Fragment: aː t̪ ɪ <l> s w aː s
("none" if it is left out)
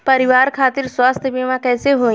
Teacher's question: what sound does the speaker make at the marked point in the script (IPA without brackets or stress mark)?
ɾ